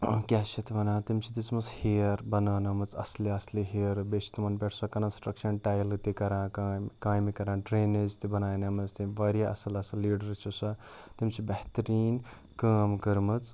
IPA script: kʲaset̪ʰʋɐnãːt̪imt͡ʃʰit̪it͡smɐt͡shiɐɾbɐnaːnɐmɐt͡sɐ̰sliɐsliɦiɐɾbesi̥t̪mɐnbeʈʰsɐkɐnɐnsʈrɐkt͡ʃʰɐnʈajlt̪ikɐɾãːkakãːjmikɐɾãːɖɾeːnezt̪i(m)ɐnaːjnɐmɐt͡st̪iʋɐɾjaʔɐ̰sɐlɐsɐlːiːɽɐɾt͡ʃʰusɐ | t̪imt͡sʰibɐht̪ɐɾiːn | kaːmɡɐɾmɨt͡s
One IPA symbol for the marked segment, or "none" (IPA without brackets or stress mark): b